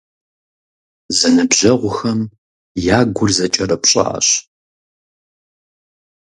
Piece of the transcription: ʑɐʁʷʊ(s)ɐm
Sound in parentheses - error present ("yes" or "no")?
yes